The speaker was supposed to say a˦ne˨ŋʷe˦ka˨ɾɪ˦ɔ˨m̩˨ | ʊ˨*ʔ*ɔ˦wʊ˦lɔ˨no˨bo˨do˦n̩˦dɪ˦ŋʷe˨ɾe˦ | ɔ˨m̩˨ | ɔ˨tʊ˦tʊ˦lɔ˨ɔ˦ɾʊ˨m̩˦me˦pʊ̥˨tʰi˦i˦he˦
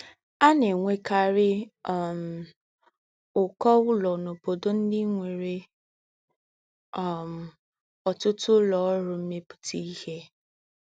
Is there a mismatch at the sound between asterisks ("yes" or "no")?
yes